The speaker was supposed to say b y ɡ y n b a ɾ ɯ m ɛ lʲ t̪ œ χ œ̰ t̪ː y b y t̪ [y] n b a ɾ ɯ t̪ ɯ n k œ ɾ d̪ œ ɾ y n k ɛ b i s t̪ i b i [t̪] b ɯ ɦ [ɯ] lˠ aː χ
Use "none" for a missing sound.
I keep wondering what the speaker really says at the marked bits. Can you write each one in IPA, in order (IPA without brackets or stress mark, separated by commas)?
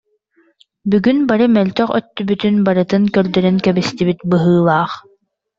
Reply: y, t̪, ɯː